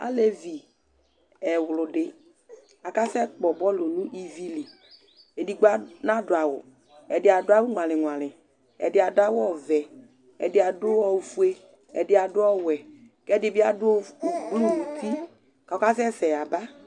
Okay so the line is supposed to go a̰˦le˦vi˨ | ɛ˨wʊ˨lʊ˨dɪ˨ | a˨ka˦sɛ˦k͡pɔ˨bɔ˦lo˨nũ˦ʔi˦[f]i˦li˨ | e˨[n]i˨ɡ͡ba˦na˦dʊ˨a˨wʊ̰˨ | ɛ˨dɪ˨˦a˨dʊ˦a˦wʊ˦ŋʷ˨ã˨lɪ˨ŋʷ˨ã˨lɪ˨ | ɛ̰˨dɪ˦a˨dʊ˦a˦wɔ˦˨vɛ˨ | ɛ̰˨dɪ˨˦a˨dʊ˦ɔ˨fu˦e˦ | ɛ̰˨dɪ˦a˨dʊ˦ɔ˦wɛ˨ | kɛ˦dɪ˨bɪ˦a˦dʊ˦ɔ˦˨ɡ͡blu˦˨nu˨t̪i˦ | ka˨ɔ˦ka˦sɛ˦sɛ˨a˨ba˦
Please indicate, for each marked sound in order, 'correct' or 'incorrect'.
incorrect, incorrect

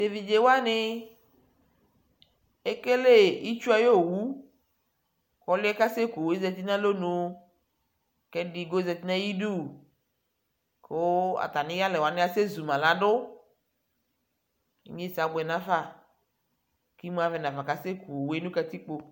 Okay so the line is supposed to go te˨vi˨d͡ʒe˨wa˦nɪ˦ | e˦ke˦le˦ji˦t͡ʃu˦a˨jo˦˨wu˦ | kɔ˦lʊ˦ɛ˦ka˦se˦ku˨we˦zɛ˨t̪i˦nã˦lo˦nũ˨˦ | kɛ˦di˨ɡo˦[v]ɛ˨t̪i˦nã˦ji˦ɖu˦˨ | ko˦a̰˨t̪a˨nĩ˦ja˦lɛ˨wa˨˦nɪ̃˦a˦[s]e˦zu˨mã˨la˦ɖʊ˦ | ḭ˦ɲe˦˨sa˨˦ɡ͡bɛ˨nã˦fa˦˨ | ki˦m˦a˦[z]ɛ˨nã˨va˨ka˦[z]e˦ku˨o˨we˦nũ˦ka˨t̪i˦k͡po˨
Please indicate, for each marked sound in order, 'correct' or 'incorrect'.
incorrect, correct, incorrect, incorrect

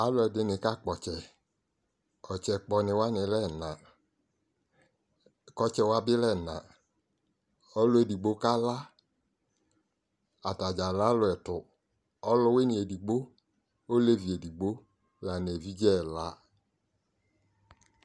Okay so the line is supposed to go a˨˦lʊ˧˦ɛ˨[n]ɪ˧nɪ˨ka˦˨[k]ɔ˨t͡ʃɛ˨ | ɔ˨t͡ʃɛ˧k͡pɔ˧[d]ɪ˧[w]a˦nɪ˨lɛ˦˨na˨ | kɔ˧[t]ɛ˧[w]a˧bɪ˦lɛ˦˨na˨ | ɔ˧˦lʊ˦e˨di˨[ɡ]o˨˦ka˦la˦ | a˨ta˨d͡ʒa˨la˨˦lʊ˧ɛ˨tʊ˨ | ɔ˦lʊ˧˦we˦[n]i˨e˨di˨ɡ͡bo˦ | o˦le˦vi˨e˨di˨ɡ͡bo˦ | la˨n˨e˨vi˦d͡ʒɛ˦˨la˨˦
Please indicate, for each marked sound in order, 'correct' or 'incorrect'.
incorrect, incorrect, incorrect, correct, incorrect, correct, incorrect, correct

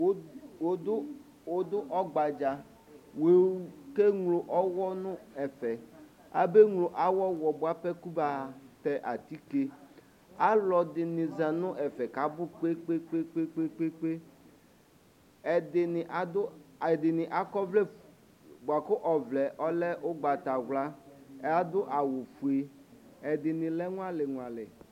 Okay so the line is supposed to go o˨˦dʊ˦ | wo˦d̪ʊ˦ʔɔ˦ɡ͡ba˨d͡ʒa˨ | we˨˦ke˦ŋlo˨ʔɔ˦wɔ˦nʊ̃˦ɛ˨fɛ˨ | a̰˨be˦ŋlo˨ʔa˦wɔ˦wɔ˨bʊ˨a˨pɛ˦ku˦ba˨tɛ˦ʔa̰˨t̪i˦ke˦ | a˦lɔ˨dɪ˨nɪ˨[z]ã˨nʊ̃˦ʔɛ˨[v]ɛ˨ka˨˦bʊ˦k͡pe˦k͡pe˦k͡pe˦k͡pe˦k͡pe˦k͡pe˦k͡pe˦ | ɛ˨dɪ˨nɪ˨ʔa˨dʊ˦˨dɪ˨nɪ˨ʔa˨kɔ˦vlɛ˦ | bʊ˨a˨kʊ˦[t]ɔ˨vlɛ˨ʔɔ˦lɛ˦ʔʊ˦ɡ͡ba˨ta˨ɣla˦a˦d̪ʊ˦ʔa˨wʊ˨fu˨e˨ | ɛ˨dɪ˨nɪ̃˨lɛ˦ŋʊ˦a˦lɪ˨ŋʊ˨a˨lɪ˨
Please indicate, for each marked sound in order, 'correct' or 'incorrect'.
correct, incorrect, incorrect

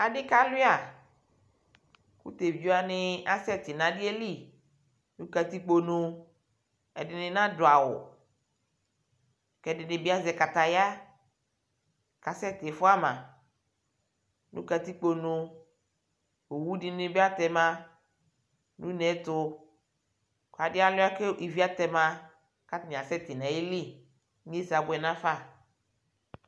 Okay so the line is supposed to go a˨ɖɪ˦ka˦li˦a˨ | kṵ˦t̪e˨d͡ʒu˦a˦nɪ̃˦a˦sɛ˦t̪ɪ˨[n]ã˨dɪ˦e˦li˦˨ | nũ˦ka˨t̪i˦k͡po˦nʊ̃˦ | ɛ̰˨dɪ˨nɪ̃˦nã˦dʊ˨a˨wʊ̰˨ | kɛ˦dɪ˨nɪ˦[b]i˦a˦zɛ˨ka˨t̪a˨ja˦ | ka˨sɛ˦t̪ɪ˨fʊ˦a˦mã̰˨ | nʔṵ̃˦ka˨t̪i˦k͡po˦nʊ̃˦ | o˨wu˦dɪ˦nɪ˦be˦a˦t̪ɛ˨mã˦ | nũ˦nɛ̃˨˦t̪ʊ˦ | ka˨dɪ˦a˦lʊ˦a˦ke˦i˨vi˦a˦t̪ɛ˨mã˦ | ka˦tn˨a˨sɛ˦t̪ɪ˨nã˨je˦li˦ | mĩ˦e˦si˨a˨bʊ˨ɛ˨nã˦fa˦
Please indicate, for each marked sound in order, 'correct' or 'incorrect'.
correct, correct

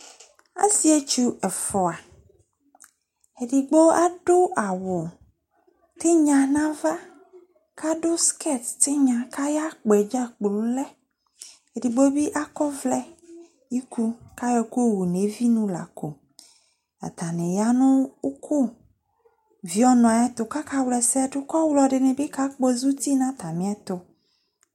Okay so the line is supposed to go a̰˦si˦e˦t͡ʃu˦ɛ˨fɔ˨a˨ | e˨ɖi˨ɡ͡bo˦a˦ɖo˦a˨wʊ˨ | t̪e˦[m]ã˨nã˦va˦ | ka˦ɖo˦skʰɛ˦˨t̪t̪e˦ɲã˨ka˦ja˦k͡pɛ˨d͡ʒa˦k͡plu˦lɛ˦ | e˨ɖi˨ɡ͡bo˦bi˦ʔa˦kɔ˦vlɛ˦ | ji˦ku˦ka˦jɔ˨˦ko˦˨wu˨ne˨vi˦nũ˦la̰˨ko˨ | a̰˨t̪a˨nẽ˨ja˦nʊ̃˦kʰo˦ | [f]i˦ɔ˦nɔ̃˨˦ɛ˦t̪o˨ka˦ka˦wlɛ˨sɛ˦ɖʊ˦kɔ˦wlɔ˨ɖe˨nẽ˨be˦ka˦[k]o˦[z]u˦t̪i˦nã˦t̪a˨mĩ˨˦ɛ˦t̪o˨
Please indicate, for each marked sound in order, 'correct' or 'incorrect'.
incorrect, incorrect, incorrect, correct

